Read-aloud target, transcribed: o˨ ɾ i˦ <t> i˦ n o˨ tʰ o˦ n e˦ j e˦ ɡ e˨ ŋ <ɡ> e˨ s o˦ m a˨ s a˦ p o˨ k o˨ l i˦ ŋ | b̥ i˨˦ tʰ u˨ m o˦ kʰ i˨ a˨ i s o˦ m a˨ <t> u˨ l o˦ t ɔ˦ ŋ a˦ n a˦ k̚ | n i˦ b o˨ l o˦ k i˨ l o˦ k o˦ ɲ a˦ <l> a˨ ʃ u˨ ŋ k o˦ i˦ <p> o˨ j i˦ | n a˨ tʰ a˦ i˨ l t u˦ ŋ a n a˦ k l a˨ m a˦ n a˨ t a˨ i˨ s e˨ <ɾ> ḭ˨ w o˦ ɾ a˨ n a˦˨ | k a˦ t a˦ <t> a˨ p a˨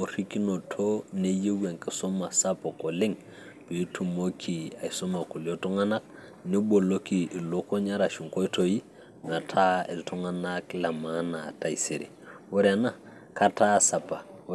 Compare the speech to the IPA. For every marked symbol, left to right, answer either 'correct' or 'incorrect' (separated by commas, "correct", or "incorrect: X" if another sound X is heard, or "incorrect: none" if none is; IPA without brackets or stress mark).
incorrect: k, incorrect: k, incorrect: k, incorrect: ɾ, incorrect: t, correct, incorrect: s